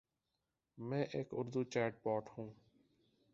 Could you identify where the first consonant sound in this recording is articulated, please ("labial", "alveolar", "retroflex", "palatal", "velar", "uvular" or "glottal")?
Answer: labial